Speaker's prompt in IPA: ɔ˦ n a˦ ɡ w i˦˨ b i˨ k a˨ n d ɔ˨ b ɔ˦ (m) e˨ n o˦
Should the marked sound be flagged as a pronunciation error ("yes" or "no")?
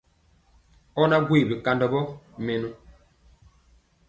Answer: no